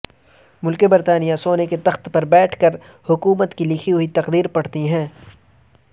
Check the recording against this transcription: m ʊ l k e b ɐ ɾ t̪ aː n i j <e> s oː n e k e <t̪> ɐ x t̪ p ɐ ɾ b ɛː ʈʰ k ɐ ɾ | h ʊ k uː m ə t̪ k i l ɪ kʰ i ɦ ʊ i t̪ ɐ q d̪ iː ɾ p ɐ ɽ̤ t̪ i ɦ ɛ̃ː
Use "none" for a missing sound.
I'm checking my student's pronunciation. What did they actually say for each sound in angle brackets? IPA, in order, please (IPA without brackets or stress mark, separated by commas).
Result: a, t̪